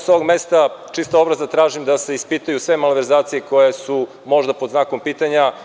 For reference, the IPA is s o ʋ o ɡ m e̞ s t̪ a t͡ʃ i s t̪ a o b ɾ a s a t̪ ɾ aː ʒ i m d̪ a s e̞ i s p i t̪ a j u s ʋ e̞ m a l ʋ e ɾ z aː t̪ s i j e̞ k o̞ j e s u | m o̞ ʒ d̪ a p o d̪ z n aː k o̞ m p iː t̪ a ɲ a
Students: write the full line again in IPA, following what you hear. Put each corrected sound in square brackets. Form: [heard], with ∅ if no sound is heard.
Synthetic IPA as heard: s o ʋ o ɡ m e̞ s t̪ a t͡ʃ i s t̪ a o b ɾ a [z] a t̪ ɾ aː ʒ i m d̪ a s e̞ i s p i t̪ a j u s ʋ e̞ m a l ʋ e ɾ z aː t̪ s i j e̞ k o̞ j e s u | m o̞ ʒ d̪ a p o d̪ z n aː k o̞ m p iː t̪ a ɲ a